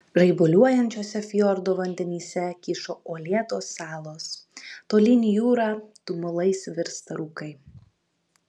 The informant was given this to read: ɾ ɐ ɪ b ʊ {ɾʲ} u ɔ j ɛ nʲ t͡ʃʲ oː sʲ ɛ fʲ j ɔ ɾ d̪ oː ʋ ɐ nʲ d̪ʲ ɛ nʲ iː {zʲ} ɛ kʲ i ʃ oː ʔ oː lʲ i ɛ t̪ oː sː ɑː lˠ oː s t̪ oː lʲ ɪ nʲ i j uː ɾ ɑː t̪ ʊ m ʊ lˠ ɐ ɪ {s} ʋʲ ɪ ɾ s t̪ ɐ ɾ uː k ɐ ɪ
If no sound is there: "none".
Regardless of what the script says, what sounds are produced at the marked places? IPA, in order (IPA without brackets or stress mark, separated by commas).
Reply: lʲ, sʲ, s